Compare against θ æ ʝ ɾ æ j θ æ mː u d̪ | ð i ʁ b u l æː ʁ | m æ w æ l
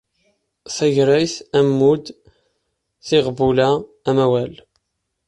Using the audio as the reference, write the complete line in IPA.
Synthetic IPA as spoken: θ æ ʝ ɾ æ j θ æ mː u d̪ | θ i ʁ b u l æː | m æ w æ l